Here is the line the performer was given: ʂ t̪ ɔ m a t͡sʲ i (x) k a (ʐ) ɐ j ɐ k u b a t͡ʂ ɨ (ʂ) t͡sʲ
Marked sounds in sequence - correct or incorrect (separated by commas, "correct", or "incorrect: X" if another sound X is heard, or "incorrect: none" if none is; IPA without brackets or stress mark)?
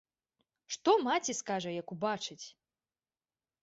incorrect: s, correct, incorrect: none